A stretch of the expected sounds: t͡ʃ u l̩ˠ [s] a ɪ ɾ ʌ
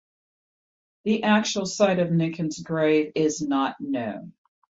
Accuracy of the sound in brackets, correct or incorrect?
correct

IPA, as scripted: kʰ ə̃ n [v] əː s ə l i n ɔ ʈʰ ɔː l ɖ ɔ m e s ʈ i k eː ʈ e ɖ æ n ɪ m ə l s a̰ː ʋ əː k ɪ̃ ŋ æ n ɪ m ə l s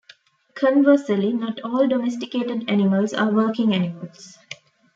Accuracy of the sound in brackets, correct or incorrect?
incorrect: ʋ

